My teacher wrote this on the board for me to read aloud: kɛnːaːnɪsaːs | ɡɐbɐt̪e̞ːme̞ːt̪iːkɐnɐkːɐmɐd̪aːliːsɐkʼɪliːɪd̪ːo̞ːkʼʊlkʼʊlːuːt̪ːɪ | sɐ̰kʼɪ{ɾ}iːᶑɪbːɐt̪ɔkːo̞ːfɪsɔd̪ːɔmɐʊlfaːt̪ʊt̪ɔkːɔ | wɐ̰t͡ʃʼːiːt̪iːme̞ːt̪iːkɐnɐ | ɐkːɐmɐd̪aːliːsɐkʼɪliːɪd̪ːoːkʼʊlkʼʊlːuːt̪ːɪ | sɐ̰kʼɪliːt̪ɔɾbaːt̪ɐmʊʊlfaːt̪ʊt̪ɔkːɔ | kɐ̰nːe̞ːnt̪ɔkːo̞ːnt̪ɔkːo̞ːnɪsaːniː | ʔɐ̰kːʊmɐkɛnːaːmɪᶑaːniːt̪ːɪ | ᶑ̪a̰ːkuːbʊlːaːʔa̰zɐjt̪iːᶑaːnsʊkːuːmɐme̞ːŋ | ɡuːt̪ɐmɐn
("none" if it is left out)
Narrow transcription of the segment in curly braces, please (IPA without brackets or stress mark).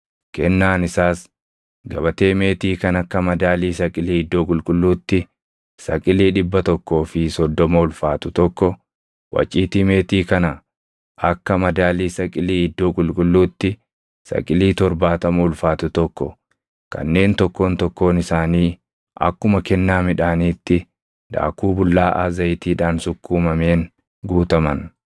l